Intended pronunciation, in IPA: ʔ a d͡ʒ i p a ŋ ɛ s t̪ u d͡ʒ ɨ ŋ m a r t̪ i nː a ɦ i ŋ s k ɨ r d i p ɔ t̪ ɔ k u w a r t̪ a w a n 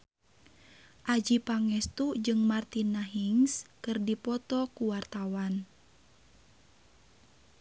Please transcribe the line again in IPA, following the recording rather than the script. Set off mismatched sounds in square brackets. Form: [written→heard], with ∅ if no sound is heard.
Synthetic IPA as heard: ʔ a d͡ʒ i p a ŋ ɛ s t̪ u d͡ʒ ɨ ŋ m a r t̪ i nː a ɦ i ŋ s k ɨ r d i p ɔ t̪ ɔ k u w a r t̪ a w a n